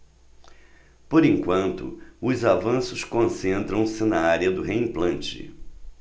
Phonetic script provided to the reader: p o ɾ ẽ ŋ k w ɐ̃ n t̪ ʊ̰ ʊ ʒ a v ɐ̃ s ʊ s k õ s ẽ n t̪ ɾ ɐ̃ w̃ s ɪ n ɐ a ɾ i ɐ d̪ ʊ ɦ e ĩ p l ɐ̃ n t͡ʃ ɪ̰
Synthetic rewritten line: p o ɾ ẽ ŋ k w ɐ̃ n t̪ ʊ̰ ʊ z a v ɐ̃ s ʊ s k õ s ẽ n t̪ ɾ ɐ̃ w̃ s ɪ n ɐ a ɾ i ɐ d̪ ʊ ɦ e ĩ p l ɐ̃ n t͡ʃ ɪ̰